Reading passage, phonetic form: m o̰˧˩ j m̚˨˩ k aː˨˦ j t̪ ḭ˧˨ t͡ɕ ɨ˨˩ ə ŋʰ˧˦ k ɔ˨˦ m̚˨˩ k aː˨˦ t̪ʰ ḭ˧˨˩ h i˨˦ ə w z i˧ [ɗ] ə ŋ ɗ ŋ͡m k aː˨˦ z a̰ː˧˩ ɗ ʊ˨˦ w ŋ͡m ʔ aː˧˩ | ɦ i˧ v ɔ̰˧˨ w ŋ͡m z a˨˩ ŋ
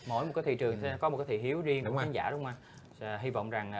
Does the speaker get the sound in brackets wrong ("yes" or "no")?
yes